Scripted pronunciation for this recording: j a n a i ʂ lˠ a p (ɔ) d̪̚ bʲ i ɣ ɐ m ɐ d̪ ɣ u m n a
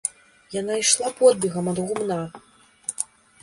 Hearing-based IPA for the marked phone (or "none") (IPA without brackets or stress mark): ɔ